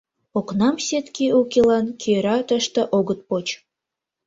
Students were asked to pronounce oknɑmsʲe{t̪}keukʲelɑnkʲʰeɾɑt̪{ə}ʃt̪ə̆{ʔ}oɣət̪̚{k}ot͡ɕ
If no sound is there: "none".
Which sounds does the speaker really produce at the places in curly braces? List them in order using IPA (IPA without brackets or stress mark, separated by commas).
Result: t̪, ə, ʔ, p